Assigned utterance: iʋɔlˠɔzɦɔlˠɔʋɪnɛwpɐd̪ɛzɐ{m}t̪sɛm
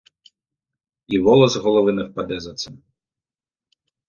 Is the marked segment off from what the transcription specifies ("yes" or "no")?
yes